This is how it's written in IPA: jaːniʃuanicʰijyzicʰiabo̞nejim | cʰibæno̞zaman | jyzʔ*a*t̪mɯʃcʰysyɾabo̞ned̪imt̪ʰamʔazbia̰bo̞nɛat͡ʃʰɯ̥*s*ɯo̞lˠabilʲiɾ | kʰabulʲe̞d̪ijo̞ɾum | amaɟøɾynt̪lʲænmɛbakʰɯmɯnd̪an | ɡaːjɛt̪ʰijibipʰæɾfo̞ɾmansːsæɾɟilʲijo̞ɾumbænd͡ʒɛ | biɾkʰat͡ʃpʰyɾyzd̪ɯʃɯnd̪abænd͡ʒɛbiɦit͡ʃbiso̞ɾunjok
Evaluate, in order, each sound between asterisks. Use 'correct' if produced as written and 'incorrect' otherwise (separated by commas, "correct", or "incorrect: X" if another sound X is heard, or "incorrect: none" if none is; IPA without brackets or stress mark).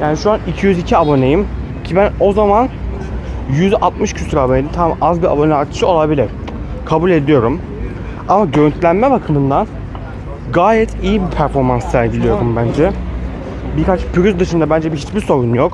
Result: correct, incorrect: ʃ